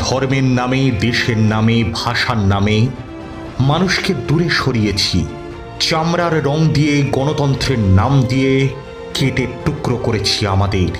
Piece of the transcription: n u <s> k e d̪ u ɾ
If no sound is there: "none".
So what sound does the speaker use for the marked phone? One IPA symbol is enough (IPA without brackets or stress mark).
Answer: ʃ